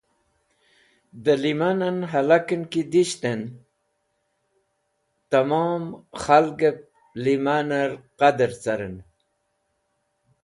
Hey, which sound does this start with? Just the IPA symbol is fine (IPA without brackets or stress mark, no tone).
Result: d̪